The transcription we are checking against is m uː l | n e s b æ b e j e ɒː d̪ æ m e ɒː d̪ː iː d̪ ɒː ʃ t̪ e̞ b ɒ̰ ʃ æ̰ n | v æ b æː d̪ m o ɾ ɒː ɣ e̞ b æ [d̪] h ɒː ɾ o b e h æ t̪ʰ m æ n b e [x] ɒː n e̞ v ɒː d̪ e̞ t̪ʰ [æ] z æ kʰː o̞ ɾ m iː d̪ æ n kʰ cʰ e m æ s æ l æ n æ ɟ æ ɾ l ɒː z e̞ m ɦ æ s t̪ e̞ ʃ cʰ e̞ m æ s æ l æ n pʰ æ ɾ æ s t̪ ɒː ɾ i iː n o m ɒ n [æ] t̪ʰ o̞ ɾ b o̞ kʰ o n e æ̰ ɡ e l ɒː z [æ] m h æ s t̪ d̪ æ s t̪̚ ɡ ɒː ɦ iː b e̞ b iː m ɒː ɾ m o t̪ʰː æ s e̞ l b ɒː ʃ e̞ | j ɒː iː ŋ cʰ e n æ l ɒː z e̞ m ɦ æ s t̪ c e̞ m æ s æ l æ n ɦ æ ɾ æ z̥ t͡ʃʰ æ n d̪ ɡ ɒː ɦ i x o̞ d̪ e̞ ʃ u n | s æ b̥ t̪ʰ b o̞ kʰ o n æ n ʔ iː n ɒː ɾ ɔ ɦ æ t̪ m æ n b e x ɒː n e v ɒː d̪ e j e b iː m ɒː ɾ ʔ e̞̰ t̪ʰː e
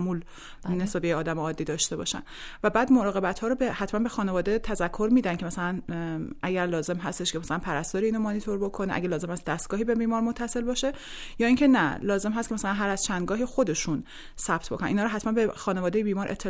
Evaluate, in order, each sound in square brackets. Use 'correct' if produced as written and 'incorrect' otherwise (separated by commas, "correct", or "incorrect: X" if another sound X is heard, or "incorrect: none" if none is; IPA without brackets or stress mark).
incorrect: t̪, correct, correct, incorrect: i, incorrect: e